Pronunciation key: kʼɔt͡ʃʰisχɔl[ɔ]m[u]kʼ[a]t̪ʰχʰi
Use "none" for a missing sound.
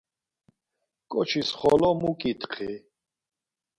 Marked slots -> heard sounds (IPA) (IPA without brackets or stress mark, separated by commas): ɔ, u, i